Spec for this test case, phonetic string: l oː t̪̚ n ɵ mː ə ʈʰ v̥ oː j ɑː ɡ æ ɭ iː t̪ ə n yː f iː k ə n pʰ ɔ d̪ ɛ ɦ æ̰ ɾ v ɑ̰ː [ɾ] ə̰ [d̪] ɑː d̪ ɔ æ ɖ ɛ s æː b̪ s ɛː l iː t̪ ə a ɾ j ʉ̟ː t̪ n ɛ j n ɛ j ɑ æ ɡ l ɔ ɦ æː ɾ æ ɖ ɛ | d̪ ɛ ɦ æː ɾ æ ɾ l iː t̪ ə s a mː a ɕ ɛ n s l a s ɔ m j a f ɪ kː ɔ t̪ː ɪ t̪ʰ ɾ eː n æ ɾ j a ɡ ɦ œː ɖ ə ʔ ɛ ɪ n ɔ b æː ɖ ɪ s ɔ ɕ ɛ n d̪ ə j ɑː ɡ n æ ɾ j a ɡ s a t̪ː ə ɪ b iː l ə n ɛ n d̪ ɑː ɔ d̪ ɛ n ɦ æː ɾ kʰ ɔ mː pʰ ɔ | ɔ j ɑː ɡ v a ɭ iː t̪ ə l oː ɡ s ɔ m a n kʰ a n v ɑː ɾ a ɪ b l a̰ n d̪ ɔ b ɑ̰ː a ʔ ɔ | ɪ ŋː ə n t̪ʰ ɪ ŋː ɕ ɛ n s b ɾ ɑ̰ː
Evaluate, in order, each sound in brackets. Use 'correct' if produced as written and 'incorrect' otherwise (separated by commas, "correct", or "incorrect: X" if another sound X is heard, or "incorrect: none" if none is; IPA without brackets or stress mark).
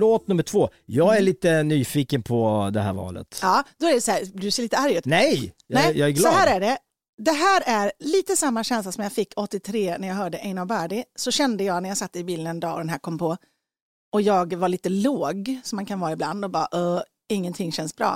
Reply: incorrect: l, incorrect: t̪